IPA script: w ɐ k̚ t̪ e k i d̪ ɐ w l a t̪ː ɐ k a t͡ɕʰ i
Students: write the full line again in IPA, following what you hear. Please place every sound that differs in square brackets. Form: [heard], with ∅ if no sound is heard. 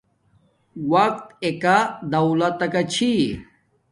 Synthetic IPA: w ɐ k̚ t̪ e k [a] d̪ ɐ w l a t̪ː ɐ k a t͡ɕʰ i